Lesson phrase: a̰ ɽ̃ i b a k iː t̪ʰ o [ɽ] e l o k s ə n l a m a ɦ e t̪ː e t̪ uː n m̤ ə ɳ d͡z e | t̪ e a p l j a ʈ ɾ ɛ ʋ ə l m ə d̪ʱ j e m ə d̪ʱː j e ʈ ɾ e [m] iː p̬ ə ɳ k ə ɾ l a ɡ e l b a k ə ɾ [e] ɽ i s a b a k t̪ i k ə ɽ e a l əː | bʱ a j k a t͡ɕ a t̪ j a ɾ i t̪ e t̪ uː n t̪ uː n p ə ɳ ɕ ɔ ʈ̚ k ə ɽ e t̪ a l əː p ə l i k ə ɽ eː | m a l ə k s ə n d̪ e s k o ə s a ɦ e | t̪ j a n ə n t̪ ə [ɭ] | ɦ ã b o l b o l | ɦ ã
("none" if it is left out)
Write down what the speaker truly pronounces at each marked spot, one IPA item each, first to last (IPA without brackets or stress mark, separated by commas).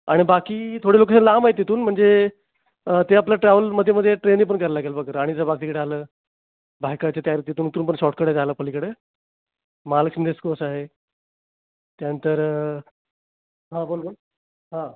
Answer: ɽ, n, a, ɾ